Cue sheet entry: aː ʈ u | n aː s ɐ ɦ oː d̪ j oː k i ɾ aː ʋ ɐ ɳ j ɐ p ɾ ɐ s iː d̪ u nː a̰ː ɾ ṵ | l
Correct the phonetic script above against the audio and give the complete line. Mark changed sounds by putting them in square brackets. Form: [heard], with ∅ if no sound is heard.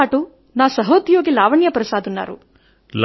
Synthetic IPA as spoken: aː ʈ u | n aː s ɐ ɦ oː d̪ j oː [ɡ] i [l] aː ʋ ɐ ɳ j ɐ p ɾ ɐ s [aː] d̪ u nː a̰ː ɾ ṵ | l